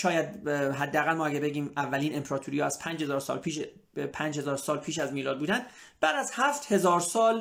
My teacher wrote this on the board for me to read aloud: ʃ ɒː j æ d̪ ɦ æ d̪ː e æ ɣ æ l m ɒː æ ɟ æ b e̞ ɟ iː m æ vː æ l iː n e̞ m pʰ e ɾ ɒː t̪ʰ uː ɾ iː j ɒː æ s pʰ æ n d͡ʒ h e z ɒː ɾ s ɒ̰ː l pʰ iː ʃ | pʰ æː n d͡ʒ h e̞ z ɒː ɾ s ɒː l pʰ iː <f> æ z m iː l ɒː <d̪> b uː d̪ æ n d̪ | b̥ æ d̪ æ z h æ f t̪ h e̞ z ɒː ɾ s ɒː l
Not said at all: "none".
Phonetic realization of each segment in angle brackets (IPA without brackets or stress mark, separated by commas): ʃ, d̪